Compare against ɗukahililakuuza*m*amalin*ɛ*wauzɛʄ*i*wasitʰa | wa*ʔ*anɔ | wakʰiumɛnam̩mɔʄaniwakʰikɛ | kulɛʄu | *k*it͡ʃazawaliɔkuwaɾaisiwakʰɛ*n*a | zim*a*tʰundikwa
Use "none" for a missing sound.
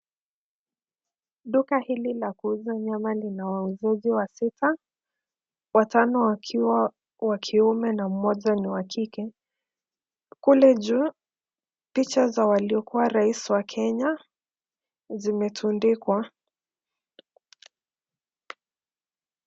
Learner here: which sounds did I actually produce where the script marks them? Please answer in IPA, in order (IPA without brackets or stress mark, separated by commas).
ɲ, a, i, t, p, ɲ, ɛ